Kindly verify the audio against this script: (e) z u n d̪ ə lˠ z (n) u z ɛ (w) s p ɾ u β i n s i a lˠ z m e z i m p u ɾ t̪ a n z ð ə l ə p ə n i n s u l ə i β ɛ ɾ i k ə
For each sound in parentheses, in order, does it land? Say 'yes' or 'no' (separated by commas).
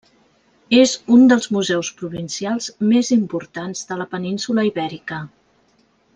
yes, no, yes